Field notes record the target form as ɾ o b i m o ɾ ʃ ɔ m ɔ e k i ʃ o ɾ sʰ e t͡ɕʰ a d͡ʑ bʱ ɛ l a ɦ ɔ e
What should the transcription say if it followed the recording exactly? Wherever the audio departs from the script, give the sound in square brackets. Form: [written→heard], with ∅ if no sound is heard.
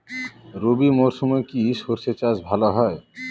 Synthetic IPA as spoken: ɾ o b i m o ɾ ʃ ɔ m ɔ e k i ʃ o ɾ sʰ e [t͡ɕʰ→t͡ɕ] a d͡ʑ bʱ [ɛ→a] l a ɦ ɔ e